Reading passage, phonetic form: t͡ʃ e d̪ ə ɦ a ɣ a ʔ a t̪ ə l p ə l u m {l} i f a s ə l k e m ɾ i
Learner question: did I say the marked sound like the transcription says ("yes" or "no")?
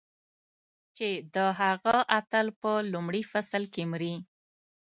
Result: no